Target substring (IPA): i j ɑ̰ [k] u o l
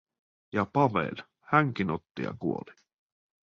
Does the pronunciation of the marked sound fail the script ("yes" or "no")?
no